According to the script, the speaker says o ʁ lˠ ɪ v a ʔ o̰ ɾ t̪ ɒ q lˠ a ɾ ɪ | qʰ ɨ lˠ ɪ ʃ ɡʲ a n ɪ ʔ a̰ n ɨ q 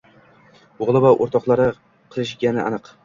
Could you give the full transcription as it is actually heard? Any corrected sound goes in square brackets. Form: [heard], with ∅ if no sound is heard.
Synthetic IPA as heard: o ʁ lˠ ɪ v a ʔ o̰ ɾ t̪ ɒ q lˠ a ɾ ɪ | qʰ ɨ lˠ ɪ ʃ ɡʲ a n ɪ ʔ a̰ n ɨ q

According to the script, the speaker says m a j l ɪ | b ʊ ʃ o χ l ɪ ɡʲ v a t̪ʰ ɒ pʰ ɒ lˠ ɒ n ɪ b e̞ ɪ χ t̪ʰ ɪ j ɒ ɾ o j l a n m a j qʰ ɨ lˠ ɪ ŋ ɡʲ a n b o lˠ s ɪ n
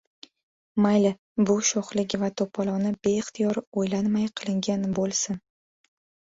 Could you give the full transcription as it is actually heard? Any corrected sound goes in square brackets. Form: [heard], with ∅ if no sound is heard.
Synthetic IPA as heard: m a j l ɪ | b ʊ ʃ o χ l ɪ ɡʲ v a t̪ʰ [o] pʰ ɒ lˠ ɒ n ɪ b e̞ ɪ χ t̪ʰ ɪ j ɒ ɾ o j l a n m a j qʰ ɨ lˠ ɪ ŋ ɡʲ a n b o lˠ s ɪ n

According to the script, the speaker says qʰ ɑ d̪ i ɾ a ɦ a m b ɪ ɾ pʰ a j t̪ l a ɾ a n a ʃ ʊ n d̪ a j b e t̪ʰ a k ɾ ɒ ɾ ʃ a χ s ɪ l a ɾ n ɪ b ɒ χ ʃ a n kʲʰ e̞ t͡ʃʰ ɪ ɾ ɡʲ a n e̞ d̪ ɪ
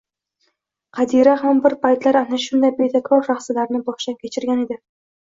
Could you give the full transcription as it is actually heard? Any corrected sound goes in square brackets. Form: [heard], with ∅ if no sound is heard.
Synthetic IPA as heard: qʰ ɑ d̪ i ɾ a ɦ a m b ɪ ɾ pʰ a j t̪ l a ɾ a n a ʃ ʊ n d̪ a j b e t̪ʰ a k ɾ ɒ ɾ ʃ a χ s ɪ l a ɾ n ɪ b ɒ χ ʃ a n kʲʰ e̞ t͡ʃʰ ɪ ɾ ɡʲ a n e̞ d̪ ɪ

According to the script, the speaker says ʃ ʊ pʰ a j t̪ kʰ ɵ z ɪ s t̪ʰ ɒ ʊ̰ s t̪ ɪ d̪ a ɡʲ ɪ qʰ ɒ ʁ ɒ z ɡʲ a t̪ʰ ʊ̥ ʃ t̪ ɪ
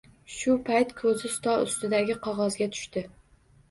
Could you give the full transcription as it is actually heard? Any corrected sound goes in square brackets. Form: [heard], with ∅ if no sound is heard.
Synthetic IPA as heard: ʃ ʊ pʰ a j t̪ kʰ ɵ z ɪ s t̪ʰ ɒ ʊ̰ s t̪ ɪ d̪ a ɡʲ ɪ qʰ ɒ ʁ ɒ z ɡʲ a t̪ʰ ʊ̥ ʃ t̪ ɪ

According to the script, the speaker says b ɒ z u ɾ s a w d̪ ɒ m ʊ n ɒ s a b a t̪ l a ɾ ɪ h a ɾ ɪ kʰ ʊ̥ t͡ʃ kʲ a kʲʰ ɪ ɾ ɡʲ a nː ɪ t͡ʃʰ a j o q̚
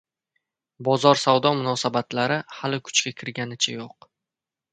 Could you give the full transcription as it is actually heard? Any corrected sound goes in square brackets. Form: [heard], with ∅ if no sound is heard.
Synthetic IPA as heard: b ɒ z [ɒ] ɾ s a w d̪ ɒ m ʊ n ɒ s a b a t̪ l a ɾ ɪ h a [l] ɪ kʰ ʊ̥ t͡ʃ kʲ a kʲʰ ɪ ɾ ɡʲ a [n] ɪ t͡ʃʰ a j o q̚

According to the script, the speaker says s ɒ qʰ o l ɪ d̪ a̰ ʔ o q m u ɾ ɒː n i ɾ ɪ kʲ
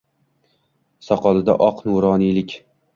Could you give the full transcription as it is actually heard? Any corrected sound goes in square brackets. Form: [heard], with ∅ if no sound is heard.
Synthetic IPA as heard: s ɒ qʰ [ɒ] l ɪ d̪ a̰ ʔ [ɒ] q [n] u ɾ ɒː n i [l] ɪ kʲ

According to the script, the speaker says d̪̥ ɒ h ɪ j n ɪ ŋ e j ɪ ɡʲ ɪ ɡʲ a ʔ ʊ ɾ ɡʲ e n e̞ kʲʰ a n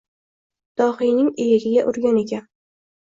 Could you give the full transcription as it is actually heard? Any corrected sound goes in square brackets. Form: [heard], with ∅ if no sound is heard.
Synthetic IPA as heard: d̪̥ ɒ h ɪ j n ɪ ŋ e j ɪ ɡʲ ɪ ɡʲ a ʔ ʊ ɾ ɡʲ [a] n e̞ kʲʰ a n

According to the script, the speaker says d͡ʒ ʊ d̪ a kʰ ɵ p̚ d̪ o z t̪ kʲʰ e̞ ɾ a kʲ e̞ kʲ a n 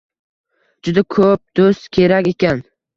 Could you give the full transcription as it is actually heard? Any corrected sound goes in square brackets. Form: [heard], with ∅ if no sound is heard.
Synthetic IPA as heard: d͡ʒ ʊ d̪ a kʰ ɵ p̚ d̪ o [s] t̪ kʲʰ e̞ ɾ a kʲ e̞ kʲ a n

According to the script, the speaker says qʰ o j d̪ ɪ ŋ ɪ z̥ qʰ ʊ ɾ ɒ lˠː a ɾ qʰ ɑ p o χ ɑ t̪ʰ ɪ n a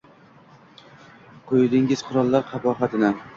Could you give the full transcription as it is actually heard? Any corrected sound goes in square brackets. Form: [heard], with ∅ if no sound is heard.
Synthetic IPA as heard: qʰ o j d̪ ɪ ŋ ɪ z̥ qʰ ʊ ɾ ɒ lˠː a ɾ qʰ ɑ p [ɒ] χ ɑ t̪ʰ ɪ n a

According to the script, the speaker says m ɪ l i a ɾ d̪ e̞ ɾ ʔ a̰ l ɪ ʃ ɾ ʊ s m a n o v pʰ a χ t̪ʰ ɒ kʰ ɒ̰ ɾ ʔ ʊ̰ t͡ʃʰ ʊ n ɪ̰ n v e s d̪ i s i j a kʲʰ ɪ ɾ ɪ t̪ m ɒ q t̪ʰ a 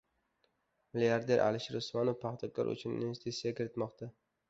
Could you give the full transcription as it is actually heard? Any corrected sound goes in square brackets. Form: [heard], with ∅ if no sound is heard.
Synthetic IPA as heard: m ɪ l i a ɾ d̪ e̞ ɾ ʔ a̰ l ɪ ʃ ɾ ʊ s m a n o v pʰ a χ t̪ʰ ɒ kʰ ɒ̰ ɾ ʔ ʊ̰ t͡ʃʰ ʊ n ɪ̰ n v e s [t̪] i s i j a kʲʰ ɪ ɾ ɪ t̪ m ɒ q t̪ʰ a

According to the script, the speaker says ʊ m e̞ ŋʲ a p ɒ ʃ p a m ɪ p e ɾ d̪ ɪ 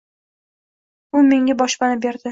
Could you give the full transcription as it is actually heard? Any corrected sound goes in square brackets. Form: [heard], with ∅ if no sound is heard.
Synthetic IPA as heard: ʊ m e̞ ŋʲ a [b] ɒ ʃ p a [n] ɪ [b] e ɾ d̪ ɪ

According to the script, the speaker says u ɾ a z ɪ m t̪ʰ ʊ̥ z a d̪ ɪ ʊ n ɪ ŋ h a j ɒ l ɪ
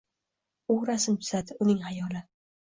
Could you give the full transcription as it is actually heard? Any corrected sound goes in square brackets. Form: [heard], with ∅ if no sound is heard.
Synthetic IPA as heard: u ɾ a [s] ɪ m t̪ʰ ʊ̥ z a d̪ ɪ ʊ n ɪ ŋ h a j ɒ l ɪ

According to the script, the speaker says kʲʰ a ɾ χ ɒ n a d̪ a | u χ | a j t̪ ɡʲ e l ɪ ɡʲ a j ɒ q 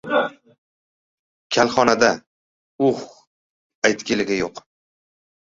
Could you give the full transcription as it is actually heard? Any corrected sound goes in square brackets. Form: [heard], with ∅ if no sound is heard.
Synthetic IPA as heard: kʲʰ a [l] χ ɒ n a d̪ a | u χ | a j t̪ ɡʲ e l ɪ ɡʲ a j [o] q

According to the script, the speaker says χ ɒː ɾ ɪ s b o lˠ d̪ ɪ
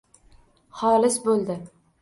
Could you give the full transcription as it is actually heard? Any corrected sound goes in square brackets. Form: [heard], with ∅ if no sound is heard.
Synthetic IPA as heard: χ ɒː [l] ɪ s b o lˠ d̪ ɪ

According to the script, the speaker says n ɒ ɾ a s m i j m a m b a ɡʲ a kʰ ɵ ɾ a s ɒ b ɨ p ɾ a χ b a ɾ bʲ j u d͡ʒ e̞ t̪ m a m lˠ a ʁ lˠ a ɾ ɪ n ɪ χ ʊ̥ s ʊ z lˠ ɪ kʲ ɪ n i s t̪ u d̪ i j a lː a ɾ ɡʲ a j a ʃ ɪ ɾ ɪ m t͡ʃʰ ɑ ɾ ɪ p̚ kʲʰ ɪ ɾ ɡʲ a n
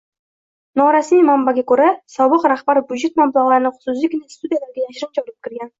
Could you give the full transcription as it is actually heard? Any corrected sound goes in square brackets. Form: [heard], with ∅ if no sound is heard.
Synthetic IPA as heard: n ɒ ɾ a s m i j m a m b a ɡʲ a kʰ ɵ ɾ a s ɒ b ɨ [q] ɾ a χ b a ɾ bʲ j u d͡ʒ e̞ t̪ m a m lˠ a ʁ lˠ a ɾ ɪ n ɪ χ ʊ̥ s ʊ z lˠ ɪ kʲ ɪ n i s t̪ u d̪ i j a [l] a ɾ ɡʲ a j a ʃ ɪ ɾ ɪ m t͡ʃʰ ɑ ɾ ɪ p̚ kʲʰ ɪ ɾ ɡʲ a n

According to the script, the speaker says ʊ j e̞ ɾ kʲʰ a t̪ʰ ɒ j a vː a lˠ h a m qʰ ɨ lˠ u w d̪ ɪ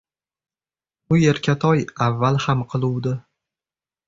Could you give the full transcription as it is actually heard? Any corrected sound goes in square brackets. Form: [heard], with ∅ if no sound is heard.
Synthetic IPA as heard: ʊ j e̞ ɾ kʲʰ a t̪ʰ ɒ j a vː a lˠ h a m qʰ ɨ lˠ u w d̪ ɪ

